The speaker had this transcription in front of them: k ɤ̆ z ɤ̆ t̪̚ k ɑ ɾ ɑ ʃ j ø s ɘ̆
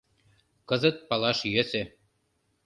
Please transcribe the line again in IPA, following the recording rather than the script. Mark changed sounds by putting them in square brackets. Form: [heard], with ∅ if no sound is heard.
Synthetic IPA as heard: k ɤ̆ z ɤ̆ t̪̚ [p] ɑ [l] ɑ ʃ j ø s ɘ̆